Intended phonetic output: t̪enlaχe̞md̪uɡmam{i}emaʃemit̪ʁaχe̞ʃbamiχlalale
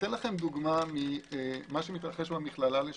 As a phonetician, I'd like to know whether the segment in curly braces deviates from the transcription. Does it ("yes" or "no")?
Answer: no